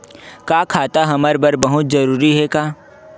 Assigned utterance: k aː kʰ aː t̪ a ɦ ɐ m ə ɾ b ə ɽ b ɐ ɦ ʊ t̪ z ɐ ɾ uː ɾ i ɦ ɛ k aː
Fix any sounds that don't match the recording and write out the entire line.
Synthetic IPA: k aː kʰ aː t̪ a ɦ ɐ m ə ɾ b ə ɾ b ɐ ɦ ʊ t̪ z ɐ ɾ uː ɾ i ɦ ɛ k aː